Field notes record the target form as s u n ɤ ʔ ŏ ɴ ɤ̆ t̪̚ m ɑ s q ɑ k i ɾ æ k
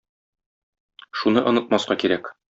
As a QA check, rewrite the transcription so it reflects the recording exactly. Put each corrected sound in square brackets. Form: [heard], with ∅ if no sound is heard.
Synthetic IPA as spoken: [ʃ] u n ɤ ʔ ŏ [n] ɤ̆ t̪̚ m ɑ s q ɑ k i ɾ æ k